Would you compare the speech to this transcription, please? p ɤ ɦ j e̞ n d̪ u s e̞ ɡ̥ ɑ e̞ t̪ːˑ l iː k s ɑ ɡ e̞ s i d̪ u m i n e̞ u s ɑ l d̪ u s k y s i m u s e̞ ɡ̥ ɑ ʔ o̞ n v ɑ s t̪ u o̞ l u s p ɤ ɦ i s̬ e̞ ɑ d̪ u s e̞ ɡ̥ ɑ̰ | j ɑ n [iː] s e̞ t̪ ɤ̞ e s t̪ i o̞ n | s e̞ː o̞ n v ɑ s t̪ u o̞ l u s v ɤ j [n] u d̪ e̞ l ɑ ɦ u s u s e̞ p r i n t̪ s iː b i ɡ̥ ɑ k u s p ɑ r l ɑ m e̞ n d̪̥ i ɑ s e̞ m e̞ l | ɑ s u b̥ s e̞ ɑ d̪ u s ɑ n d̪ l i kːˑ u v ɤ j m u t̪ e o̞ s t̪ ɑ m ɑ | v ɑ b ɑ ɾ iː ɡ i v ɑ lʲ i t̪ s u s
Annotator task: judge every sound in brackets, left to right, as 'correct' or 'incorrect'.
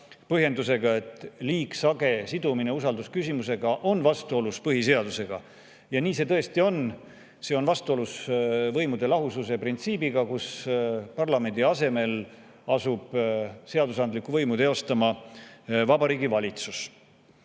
correct, incorrect

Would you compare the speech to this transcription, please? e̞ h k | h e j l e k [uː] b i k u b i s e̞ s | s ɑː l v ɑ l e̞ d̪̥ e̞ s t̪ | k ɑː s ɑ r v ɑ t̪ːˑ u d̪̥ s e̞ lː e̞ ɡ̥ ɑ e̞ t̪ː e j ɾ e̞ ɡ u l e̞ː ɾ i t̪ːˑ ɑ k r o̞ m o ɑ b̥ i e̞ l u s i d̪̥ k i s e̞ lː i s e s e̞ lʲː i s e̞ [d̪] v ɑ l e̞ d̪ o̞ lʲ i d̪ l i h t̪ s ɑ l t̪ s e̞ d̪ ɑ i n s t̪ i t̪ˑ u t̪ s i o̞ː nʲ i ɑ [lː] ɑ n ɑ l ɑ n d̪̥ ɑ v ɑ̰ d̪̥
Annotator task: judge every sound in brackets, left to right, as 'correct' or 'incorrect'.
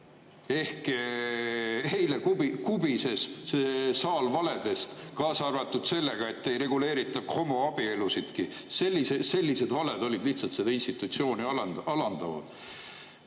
incorrect, correct, incorrect

